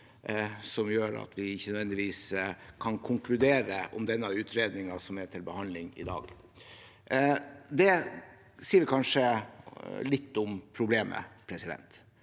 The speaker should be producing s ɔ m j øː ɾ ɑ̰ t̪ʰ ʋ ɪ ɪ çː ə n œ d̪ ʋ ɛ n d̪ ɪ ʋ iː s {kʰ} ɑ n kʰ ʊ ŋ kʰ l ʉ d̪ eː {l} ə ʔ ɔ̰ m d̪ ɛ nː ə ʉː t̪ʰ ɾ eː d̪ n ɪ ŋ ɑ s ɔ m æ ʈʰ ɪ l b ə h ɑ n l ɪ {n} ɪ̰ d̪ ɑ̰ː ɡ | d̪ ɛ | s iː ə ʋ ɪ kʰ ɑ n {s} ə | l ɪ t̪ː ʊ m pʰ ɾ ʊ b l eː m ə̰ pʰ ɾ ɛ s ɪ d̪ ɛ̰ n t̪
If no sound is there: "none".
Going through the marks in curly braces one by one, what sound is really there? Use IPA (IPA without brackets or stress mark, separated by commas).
kʰ, ɾ, ŋ, ʂ